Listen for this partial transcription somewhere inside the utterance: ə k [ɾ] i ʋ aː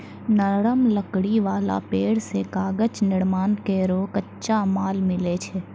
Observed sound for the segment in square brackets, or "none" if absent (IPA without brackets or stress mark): ɽ